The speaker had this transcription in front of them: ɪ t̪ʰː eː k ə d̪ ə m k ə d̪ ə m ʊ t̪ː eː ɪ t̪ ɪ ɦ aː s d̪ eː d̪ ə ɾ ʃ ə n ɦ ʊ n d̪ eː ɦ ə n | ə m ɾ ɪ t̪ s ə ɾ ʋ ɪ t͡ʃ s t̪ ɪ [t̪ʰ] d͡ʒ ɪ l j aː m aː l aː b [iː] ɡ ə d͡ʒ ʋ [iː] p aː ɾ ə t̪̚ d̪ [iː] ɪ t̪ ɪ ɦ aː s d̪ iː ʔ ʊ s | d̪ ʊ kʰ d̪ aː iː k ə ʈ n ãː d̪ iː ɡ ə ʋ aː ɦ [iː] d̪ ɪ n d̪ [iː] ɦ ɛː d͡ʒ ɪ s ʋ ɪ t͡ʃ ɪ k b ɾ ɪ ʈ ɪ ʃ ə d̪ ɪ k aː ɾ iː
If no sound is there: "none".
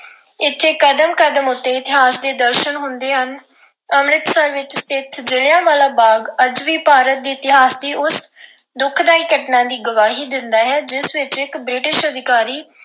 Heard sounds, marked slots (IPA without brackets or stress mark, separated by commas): t̪ʰ, aː, iː, iː, iː, aː